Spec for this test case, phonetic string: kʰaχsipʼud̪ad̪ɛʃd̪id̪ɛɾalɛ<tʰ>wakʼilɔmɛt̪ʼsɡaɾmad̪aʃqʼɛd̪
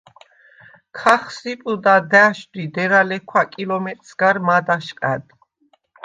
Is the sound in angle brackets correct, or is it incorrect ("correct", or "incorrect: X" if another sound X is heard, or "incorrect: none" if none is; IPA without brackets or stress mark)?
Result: incorrect: kʰ